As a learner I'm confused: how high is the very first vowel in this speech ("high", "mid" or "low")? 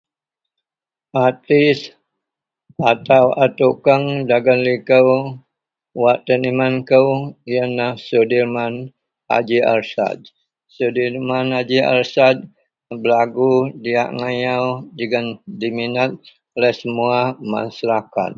low